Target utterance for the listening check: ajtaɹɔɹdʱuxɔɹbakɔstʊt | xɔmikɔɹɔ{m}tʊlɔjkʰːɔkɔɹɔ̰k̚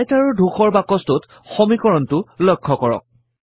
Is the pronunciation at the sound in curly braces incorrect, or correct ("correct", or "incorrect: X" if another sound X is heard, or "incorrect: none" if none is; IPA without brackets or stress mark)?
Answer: incorrect: n